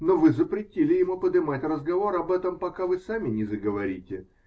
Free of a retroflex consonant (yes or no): yes